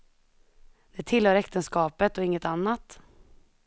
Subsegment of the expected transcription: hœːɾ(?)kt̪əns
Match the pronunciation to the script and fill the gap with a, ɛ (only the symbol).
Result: ɛ